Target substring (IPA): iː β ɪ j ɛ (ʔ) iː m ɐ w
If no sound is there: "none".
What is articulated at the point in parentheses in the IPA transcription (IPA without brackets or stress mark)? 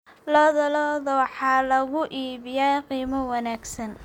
q